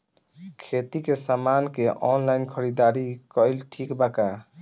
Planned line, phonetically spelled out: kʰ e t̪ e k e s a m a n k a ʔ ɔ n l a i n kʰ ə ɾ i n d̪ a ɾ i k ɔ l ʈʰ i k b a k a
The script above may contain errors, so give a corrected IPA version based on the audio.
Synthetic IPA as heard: kʰ e t̪ i k e s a m a n k e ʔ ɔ n l a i n kʰ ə ɾ i d̪ a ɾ i k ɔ l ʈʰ i k b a k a